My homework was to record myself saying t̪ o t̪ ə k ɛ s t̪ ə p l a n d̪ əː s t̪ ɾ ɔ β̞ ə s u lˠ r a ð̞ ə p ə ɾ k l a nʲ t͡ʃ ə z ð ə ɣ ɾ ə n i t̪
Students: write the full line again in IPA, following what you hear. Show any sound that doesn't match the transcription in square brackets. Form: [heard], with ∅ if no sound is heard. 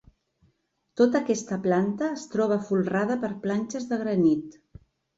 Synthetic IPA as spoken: t̪ o t̪ ə k ɛ s t̪ ə p l a n [t̪] əː s t̪ ɾ ɔ β̞ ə [f] u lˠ r a ð̞ ə p ə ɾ [p] l a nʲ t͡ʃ ə z ð ə ɣ ɾ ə n i t̪